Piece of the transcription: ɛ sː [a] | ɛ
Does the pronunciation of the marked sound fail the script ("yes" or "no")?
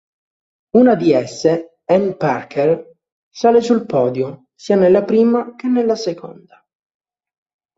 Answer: yes